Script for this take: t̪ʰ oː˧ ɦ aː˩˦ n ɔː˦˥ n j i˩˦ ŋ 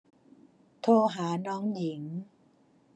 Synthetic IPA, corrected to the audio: t̪ʰ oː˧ ɦ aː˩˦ n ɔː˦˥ ŋ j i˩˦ ŋ